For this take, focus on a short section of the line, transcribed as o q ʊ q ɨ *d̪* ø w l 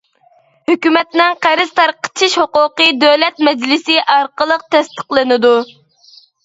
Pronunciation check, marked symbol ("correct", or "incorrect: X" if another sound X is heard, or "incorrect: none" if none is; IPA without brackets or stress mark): correct